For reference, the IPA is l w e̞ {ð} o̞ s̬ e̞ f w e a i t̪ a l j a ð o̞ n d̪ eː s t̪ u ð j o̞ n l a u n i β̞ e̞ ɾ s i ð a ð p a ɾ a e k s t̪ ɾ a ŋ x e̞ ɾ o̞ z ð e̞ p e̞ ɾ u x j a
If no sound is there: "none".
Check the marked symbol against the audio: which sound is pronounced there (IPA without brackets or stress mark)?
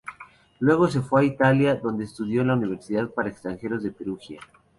ɣ